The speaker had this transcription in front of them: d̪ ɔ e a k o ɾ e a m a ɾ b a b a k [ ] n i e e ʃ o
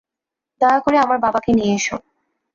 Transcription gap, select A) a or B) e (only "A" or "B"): B